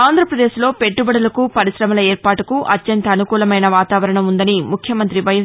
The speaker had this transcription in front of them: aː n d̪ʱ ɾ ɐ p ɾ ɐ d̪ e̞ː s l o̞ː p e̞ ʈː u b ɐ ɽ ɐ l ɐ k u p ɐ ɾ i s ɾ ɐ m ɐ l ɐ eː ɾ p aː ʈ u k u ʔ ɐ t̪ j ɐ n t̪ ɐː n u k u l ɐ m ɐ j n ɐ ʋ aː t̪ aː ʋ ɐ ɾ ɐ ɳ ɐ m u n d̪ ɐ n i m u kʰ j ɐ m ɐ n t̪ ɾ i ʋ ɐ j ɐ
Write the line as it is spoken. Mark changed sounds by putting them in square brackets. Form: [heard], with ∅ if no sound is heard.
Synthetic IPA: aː n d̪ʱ ɾ ɐ p ɾ ɐ d̪ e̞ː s l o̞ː p e̞ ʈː u b ɐ ɽ ɐ l ɐ k u p ɐ ɾ i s ɾ ɐ m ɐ l ɐ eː ɾ p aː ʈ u k u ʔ ɐ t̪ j ɐ n t̪ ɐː n u k [uː] l ɐ m ɐ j n ɐ ʋ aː t̪ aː ʋ ɐ ɾ ɐ ɳ ɐ m u n d̪ ɐ n i m u kʰ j ɐ m ɐ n t̪ ɾ i ʋ ɐ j ɐ

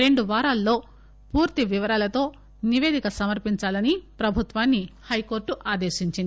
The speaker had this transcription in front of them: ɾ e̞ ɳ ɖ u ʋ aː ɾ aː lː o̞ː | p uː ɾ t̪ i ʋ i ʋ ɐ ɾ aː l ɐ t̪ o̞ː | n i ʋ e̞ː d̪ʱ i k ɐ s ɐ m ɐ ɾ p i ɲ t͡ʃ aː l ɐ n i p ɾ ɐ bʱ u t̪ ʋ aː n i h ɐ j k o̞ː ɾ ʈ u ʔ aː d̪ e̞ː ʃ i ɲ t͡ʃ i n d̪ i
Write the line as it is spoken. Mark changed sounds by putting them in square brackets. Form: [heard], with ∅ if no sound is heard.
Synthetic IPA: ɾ e̞ ɳ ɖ u ʋ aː ɾ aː lː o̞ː | p uː ɾ t̪ i ʋ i ʋ ɐ ɾ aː l ɐ t̪ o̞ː | n i ʋ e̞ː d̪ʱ i k ɐ s ɐ m ɐ ɾ p i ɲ t͡ʃ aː l ɐ n i p ɾ ɐ bʱ u t̪ ʋ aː [nː] i h ɐ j k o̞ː ɾ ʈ u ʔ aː d̪ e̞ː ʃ i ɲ t͡ʃ i n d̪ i

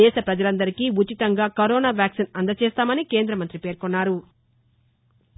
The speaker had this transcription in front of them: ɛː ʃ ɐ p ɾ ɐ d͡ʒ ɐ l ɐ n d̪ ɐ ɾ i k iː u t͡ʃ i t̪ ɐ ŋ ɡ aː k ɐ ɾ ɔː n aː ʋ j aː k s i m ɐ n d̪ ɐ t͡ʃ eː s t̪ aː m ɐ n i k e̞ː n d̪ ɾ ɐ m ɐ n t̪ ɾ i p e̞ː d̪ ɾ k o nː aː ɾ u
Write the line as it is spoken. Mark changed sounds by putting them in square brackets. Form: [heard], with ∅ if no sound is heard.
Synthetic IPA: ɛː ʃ ɐ p ɾ ɐ d͡ʒ ɐ l ɐ n d̪ ɐ ɾ i k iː u t͡ʃ i t̪ ɐ ŋ ɡ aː k ɐ ɾ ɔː n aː ʋ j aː k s i [n] ɐ n d̪ ɐ t͡ʃ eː s t̪ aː m ɐ n i k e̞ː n d̪ ɾ ɐ m ɐ n t̪ ɾ i p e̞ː [∅] ɾ k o nː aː ɾ u

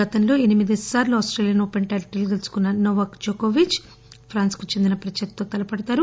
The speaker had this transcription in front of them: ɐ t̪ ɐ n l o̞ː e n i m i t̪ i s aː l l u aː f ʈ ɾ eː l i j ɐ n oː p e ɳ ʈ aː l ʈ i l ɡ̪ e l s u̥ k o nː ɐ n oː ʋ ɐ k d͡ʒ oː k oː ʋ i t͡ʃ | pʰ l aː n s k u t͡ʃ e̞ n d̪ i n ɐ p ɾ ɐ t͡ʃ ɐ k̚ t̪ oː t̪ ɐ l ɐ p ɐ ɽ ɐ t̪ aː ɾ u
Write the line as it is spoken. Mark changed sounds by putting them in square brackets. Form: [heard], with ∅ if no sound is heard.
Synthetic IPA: ɐ t̪ ɐ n l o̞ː e n i m i [d̪] i s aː [ɾ] l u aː [s] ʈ ɾ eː l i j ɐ n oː p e ɳ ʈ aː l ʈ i l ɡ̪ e l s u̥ k [u] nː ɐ n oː ʋ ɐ k d͡ʒ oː k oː ʋ i t͡ʃ | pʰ [ɾ] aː n s k u t͡ʃ e̞ n d̪ i n ɐ p ɾ ɐ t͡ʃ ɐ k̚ t̪ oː t̪ ɐ l ɐ p ɐ ɽ ɐ t̪ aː ɾ u

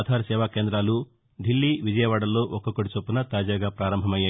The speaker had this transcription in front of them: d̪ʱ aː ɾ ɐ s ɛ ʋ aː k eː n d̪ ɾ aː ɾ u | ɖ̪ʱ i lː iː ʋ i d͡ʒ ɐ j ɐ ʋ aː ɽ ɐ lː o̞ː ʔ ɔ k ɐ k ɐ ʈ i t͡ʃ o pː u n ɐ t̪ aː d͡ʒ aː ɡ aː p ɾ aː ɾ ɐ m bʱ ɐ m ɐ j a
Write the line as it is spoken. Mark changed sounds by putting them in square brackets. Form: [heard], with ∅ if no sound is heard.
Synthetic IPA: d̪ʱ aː ɾ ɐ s [ɛː] ʋ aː k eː n d̪ ɾ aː [l] u | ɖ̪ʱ i lː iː ʋ i d͡ʒ ɐ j ɐ ʋ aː ɽ ɐ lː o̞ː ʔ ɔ k ɐ k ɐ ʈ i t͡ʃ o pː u n ɐ t̪ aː d͡ʒ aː ɡ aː p ɾ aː ɾ ɐ m bʱ ɐ m ɐ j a

